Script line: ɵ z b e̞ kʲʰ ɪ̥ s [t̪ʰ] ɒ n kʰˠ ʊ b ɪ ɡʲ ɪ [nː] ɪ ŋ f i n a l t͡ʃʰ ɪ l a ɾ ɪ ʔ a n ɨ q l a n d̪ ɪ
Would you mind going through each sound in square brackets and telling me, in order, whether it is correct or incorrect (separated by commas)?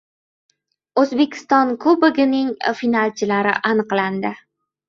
incorrect, incorrect